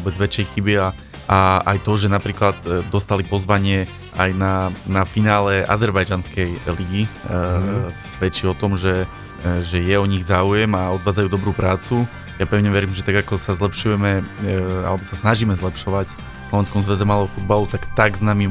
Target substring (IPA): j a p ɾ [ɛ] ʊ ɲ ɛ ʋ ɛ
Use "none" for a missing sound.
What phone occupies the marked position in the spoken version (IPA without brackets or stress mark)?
ɛ